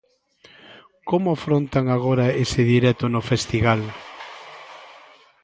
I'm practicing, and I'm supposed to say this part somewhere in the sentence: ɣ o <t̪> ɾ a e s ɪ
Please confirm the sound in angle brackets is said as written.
no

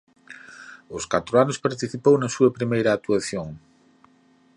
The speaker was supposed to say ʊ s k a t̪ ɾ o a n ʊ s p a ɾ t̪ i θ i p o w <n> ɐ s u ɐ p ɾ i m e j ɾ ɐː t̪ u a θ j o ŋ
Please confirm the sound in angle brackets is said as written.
yes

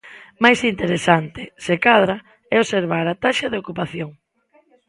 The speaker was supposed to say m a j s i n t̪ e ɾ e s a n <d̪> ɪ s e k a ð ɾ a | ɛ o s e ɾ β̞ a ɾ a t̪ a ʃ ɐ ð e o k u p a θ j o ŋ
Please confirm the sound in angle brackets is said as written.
no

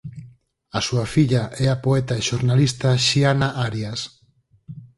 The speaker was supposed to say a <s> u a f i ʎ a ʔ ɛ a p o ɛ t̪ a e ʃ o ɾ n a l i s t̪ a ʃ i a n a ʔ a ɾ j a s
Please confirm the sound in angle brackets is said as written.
yes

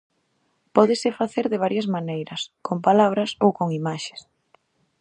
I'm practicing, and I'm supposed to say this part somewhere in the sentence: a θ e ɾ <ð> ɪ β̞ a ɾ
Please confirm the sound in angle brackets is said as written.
yes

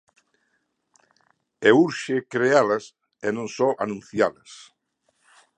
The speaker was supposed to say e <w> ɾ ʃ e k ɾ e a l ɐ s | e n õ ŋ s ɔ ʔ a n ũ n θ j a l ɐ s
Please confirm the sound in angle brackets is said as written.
no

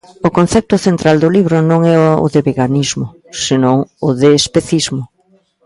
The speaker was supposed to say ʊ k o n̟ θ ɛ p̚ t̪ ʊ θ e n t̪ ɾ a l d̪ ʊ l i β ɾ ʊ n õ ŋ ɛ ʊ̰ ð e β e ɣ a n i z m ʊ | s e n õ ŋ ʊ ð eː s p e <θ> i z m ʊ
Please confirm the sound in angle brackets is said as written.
yes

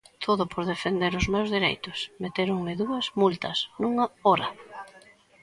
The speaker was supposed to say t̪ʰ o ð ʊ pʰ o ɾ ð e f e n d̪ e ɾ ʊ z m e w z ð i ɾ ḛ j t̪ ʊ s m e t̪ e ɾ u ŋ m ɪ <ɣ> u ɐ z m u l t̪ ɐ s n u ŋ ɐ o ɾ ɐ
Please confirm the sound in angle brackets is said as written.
no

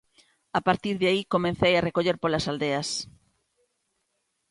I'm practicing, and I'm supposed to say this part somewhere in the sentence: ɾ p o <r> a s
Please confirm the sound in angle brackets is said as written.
no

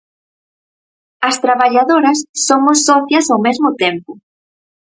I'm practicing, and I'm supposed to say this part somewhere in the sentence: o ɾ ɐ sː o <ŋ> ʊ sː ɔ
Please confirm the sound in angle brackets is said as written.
no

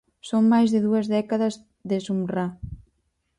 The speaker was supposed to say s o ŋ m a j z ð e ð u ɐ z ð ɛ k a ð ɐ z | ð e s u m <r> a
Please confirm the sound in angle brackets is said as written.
yes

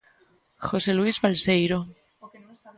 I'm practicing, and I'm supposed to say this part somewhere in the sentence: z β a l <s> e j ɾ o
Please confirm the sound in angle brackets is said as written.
yes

